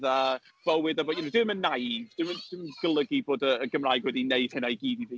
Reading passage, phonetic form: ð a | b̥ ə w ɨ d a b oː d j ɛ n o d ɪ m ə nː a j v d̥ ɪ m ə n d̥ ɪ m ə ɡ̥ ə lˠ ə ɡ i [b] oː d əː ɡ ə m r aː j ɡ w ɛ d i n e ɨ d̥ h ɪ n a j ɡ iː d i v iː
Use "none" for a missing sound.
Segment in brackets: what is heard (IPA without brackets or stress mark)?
b